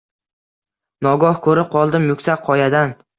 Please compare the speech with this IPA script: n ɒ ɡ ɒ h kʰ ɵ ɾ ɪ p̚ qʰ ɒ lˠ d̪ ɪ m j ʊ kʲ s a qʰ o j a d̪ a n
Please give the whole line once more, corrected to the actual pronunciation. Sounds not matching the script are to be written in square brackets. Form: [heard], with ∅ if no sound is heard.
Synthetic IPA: n ɒ ɡ ɒ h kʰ ɵ ɾ ɪ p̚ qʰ ɒ lˠ d̪ ɪ m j ʊ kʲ s a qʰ [ɒ] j a d̪ a n